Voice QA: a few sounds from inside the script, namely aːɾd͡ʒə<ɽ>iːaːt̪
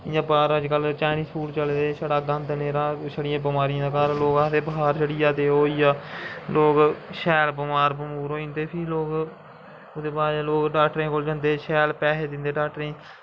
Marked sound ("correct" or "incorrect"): correct